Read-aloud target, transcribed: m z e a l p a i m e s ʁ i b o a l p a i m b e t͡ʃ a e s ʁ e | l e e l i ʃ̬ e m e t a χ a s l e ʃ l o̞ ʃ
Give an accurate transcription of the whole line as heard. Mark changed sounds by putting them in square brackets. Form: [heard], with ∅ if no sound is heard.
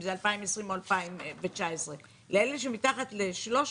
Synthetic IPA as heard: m z e a l p a i m e s ʁ i [m] o a l p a i m [v] e t͡ʃ a e s ʁ e | l e e l [e] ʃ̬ e m [i] t a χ a [t] l e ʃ l o̞ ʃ

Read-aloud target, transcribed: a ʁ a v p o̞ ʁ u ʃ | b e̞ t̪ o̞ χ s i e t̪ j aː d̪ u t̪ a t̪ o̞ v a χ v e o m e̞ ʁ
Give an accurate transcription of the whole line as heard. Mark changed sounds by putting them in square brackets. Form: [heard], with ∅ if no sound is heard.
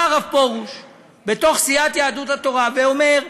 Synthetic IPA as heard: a ʁ a v p o̞ ʁ u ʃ | b e̞ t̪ o̞ χ s i [a] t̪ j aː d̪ u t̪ a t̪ o̞ [ʁ] a [∅] v e o m e̞ ʁ

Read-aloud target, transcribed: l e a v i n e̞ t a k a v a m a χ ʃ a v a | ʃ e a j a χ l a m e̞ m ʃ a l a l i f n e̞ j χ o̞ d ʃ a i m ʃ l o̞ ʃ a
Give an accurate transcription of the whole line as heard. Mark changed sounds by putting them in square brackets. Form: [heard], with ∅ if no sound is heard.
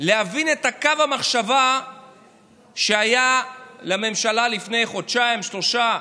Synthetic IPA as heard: l e a v i n e̞ t a k a v a m a χ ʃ a v a | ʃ e a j a [∅] l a m e̞ m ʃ a l a l i f n e̞ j χ o̞ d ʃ a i m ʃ l o̞ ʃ a

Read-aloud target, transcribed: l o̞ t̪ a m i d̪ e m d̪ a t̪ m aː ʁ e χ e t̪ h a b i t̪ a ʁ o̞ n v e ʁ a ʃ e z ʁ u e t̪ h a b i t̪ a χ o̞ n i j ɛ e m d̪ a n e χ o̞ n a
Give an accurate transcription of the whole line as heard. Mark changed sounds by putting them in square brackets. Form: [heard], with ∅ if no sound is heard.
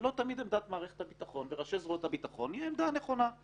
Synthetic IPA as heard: l o̞ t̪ a m i d̪ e m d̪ a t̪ m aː ʁ e χ e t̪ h a b i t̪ a [χ] o̞ n v e ʁ a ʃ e z ʁ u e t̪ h a b i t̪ a χ o̞ n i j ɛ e m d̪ a n e χ o̞ n a

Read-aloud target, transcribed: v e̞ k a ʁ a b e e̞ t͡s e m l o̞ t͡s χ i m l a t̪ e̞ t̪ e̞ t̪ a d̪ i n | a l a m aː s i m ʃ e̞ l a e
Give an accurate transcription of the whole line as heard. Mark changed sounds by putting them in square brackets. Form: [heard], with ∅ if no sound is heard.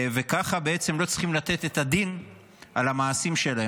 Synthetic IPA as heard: v e̞ k a [χ] a b e e̞ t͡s e m l o̞ t͡s χ i m l a t̪ e̞ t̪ e̞ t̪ a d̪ i n | a l a m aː s i m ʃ e̞ l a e

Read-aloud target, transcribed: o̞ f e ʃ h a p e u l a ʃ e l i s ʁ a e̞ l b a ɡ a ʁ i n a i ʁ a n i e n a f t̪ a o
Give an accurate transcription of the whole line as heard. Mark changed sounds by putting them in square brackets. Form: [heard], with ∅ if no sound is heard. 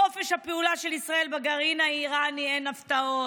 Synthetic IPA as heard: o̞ f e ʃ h a p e u l a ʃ e l i s ʁ a e̞ l b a ɡ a ʁ i n a i ʁ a n i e n a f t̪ a o

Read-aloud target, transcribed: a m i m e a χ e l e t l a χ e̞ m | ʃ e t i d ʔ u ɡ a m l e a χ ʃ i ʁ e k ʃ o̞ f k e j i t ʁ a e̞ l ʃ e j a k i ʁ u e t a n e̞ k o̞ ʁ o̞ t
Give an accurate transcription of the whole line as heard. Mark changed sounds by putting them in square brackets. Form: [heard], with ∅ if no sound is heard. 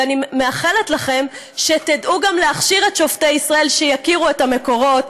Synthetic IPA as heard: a [n] i m e a χ e l e t l a χ e̞ m | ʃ e t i d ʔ u ɡ a m l e a χ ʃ i ʁ e [t] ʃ o̞ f [t] e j i [s] ʁ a e̞ l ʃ e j a k i ʁ u e t a [m] e̞ k o̞ ʁ o̞ t

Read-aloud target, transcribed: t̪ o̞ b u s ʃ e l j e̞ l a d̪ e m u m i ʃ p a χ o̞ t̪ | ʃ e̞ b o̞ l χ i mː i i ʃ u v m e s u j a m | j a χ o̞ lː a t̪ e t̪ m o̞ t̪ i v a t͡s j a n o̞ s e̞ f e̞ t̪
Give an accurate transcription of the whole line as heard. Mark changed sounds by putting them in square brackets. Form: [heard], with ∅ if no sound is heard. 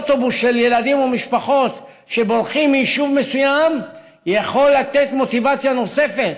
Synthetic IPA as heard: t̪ o̞ b u s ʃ e l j e̞ l a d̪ [i] m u m i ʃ p a χ o̞ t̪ | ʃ e̞ b o̞ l χ i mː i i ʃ u v m e s u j a m | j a χ o̞ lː a t̪ e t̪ m o̞ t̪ i v a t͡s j a n o̞ s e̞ f e̞ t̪

